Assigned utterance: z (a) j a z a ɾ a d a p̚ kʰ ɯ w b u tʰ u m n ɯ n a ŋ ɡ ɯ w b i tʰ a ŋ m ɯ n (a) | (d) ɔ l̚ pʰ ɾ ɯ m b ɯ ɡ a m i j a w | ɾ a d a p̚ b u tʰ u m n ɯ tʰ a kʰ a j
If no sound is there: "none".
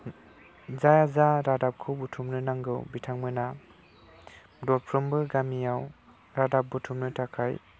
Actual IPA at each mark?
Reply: a, a, d

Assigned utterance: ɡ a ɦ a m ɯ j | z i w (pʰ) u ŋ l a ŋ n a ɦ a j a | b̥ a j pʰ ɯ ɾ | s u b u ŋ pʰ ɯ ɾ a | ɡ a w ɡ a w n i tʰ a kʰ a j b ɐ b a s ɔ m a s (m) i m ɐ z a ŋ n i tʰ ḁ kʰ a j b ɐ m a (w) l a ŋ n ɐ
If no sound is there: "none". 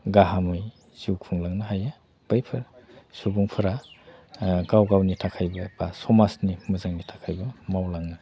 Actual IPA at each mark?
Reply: kʰ, n, w

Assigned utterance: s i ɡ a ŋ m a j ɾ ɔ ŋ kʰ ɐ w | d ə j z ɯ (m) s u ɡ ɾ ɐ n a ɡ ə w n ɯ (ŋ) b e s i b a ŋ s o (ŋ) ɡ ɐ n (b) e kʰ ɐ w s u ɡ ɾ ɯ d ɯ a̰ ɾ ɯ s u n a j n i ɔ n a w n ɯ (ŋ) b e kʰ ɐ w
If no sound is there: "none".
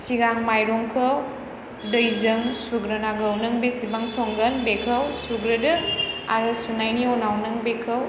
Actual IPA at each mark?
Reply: ŋ, ŋ, ŋ, b, ŋ

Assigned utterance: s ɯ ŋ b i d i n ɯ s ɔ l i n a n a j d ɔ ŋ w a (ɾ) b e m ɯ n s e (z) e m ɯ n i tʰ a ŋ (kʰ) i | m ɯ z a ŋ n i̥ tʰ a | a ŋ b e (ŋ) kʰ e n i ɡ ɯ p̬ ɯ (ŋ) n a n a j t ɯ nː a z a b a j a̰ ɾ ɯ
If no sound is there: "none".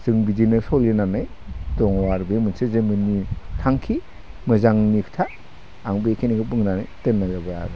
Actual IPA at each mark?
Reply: ɾ, z, kʰ, none, ŋ

